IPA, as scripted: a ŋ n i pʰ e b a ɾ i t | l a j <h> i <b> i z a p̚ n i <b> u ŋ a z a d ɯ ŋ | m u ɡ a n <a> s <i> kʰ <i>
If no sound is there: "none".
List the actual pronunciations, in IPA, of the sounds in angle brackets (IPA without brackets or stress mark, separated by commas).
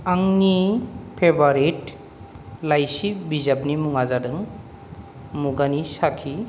s, b, m, i, a, i